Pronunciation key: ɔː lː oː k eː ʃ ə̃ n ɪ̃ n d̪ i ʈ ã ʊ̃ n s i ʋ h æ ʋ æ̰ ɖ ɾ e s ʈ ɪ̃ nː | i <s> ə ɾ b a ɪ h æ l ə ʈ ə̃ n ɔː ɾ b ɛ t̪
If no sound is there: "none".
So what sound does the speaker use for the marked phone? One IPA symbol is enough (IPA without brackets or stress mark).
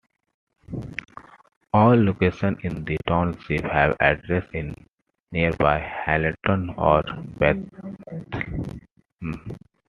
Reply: none